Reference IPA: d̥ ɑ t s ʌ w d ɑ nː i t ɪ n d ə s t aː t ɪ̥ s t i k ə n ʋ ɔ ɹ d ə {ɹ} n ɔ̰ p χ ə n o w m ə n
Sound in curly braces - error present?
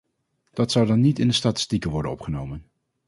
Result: yes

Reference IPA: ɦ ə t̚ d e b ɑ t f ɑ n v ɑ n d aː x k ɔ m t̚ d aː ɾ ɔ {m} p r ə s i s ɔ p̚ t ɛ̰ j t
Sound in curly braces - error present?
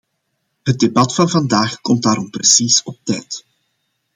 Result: no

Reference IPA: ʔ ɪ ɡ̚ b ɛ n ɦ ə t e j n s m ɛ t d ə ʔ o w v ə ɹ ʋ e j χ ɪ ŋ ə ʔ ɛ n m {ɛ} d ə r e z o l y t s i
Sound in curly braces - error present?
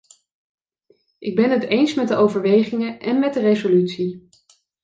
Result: no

